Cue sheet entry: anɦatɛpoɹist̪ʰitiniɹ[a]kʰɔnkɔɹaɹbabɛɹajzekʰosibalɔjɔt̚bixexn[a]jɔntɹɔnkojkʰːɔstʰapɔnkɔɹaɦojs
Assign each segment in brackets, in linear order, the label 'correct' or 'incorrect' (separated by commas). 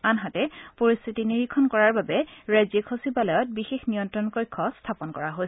incorrect, incorrect